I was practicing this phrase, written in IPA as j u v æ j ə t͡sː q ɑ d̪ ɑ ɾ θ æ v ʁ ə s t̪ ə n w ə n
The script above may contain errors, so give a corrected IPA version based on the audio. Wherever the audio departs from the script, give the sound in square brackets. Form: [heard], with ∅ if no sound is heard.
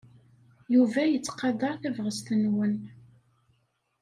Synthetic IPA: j u v æ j ə t͡sː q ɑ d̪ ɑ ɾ θ æ v ʁ ə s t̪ ə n w ə n

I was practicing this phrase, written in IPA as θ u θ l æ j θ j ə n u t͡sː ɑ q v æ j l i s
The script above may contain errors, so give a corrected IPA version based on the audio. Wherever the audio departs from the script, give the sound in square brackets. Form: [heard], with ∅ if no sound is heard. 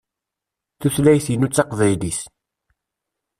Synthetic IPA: θ u θ l æ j θ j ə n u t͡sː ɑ q v æ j l i s

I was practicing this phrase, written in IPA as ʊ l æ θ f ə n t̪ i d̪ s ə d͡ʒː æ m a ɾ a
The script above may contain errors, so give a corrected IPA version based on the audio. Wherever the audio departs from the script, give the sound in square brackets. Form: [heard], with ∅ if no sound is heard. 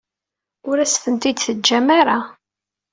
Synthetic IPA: ʊ [ɾ] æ [s] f ə n t̪ i d̪ [θ] ə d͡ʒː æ m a ɾ a

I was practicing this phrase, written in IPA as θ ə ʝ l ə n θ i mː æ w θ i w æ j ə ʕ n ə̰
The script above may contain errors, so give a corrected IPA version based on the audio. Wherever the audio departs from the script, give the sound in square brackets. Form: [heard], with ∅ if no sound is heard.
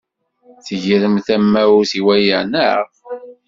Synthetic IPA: θ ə ʝ [ɾ] ə [m] θ [æ] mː æ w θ i w æ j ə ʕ n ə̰

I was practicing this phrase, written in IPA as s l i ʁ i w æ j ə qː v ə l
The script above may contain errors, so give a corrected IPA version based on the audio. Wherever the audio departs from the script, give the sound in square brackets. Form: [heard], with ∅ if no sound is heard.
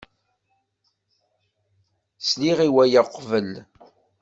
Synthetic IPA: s l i ʁ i w æ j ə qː v ə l

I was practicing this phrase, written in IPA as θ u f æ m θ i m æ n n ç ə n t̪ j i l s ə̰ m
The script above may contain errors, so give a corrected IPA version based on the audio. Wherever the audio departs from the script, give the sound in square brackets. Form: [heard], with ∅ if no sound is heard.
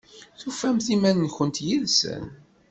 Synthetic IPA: θ u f æ m θ i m æ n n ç ə n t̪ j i l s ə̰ [n]

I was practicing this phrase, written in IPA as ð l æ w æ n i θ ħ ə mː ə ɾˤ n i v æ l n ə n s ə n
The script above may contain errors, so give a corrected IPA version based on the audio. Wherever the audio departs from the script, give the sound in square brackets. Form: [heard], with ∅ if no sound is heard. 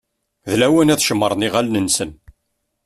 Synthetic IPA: ð l æ w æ n [æ] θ [ʃ] ə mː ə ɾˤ n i [ʁ] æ l n ə n s ə n

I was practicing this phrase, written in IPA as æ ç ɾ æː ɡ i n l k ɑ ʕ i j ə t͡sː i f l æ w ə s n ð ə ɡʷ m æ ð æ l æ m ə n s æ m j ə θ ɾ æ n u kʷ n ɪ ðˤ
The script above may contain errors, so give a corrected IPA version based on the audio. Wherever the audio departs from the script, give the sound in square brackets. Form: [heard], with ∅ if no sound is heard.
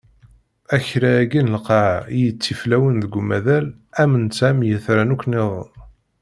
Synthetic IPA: æ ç ɾ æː ɡ i n l [q] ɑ ʕ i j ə t͡sː i f l æ w ə [∅] n ð ə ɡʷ m æ ð æ l æ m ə n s æ m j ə θ ɾ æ n u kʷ n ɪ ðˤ

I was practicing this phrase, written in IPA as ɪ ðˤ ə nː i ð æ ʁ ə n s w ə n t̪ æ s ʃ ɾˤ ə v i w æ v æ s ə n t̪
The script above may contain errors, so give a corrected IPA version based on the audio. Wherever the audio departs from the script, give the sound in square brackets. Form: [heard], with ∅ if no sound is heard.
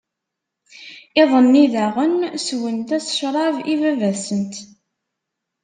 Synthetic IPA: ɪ ðˤ ə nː i ð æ ʁ ə n s w ə n t̪ æ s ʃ ɾˤ [ɑ] v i [v] æ v æ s ə n t̪

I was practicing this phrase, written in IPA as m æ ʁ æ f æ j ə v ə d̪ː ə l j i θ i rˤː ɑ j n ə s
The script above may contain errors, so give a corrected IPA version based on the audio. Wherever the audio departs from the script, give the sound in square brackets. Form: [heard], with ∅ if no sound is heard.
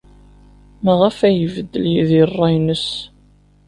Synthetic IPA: m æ ʁ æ f æ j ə v ə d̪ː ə l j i [ð] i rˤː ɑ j n ə s

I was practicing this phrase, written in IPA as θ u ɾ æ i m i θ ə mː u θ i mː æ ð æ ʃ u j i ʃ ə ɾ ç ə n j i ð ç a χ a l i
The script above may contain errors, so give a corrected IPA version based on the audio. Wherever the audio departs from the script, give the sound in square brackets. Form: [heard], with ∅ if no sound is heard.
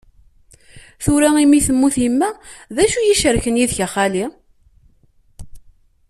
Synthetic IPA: θ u ɾ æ i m i θ ə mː u θ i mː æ ð æ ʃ u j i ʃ ə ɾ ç ə n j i ð ç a χ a l i

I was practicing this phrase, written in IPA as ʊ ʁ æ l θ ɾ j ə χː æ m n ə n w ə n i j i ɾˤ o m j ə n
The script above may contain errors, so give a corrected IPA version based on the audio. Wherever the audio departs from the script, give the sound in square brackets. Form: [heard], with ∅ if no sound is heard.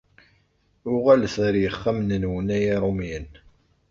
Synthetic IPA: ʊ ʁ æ l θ ɾ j ə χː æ m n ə n w ə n [æ] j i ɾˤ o m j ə n

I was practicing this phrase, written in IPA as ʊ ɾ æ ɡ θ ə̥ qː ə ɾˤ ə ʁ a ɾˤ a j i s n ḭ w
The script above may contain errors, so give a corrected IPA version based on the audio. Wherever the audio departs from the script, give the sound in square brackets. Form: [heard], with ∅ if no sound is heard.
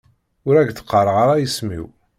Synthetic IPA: ʊ ɾ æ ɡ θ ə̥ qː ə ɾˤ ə ʁ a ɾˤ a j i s [m] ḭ w

